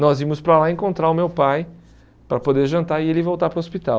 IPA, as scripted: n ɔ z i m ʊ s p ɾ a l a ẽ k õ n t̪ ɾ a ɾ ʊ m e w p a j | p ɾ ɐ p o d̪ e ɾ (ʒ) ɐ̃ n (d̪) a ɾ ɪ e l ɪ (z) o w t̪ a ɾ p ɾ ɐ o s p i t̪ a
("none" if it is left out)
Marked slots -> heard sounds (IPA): ʒ, t̪, v

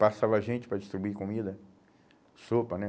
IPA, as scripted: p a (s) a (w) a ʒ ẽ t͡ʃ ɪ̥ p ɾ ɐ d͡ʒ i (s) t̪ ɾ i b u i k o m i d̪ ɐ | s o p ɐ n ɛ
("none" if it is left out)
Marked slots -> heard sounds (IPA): s, v, s

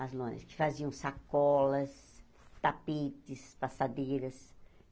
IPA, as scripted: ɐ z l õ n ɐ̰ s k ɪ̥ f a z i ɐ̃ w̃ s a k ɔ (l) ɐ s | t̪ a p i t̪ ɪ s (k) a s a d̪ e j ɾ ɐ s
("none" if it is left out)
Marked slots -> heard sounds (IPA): l, p

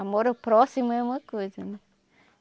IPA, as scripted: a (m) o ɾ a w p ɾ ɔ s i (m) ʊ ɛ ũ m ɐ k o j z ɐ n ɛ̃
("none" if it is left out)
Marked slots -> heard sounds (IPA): m, m

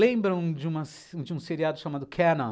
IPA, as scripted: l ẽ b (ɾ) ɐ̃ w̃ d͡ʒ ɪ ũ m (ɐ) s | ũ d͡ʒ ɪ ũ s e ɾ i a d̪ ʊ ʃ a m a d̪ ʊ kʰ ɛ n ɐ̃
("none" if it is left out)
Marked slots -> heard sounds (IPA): ɾ, ɐ

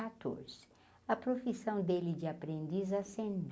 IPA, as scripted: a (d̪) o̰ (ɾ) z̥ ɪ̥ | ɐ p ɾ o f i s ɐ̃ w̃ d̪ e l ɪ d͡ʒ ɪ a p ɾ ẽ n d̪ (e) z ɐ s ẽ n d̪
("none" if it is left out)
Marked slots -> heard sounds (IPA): t̪, ɾ, i

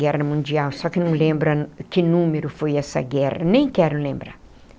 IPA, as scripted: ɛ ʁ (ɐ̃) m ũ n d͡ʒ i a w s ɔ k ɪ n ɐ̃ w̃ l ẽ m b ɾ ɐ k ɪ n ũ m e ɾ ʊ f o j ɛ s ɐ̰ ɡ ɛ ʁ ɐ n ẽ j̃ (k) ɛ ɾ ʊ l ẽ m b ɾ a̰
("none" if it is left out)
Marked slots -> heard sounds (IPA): ɐ, k

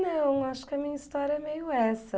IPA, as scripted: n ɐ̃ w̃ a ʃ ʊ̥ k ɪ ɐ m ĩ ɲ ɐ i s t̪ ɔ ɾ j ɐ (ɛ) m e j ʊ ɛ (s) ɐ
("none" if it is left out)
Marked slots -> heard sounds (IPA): ɛ, s

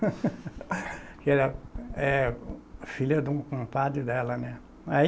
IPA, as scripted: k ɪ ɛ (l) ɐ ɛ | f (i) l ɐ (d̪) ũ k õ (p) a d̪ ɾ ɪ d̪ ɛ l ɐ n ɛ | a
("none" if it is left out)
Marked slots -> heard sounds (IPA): ɾ, i, d̪, p

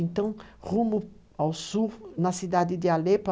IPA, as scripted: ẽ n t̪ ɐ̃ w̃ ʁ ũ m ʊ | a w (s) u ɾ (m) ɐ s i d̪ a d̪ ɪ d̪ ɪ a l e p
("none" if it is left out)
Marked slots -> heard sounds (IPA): s, n

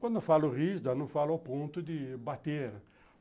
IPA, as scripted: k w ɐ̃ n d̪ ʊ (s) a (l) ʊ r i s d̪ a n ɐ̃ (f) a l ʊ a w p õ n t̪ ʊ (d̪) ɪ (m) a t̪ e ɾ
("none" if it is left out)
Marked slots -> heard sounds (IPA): f, l, f, d̪, b

